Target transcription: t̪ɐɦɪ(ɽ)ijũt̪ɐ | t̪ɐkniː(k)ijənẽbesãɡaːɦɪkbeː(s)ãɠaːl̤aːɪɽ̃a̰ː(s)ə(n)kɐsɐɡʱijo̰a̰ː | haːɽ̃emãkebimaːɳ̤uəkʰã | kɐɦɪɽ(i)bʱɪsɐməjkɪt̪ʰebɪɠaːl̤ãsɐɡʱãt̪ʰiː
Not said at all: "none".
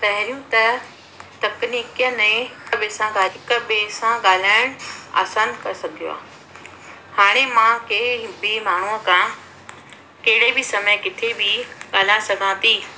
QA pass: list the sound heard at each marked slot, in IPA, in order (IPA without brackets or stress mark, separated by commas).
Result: ɾ, k, s, s, n, e